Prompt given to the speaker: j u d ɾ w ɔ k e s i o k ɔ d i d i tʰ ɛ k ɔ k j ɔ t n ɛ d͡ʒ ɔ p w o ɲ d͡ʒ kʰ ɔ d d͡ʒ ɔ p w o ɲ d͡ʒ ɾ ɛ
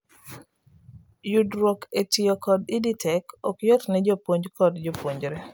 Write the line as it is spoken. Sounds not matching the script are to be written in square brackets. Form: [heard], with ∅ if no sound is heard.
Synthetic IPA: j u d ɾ w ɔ k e [t] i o k ɔ d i d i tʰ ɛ k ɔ k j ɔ t n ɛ d͡ʒ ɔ p w o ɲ d͡ʒ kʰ ɔ d d͡ʒ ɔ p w o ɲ d͡ʒ ɾ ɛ